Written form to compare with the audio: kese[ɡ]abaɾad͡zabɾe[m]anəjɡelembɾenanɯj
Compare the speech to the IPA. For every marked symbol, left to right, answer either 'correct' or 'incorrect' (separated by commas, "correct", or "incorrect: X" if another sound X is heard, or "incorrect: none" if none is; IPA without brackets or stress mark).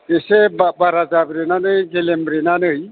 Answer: incorrect: b, incorrect: n